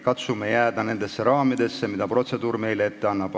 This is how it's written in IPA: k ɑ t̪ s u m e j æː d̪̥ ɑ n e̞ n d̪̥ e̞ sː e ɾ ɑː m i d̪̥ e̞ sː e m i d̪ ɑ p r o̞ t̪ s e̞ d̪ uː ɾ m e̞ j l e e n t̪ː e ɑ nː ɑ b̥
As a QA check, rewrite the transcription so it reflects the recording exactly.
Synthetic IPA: k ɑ t̪ s u m e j æː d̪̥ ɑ n e̞ n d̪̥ e̞ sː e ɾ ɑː m i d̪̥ e̞ sː e m i d̪ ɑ p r o̞ t̪ s e̞ d̪ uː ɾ m e̞ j l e e t̪ː e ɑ nː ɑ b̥